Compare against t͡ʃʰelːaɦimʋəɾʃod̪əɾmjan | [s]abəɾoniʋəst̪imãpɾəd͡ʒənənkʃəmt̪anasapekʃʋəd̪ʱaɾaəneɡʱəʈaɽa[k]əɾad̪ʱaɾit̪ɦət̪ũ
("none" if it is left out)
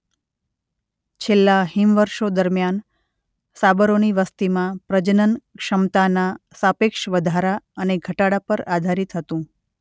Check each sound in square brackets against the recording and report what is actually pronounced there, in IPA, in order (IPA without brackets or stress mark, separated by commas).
s, p